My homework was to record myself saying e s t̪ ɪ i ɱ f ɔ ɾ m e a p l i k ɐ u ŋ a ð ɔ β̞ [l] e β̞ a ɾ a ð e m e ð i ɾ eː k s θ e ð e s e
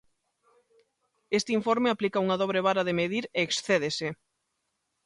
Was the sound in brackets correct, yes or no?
no